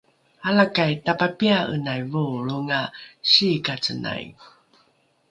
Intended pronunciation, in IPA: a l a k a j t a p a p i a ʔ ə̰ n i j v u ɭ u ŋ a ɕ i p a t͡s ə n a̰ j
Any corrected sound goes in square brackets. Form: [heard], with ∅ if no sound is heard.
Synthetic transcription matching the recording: a l a k a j t a p a p i a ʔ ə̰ n [a] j v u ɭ u ŋ a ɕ i [k] a t͡s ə n a̰ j